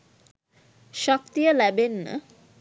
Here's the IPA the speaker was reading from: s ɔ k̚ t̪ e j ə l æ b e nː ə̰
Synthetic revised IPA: ʃ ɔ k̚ t̪ i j ə l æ b e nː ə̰